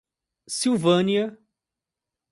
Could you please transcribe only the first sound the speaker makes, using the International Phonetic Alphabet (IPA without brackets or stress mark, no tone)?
s